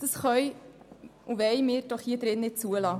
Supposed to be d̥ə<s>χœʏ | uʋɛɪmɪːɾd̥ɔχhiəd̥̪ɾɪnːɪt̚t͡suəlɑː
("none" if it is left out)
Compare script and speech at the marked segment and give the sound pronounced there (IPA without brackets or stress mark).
s